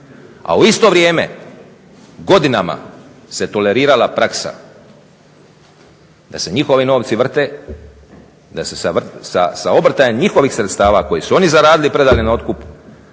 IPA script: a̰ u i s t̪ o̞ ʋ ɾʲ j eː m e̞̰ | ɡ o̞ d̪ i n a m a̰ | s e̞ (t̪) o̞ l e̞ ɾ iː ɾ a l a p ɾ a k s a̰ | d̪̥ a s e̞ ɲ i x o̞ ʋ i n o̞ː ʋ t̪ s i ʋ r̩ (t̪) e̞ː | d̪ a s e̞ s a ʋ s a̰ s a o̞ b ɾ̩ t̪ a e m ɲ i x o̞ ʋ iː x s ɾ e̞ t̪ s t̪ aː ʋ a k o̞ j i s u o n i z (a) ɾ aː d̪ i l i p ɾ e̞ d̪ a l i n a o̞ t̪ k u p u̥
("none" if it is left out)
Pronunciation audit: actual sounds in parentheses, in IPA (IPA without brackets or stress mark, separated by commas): t̪, t̪, a